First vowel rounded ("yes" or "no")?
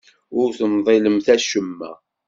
yes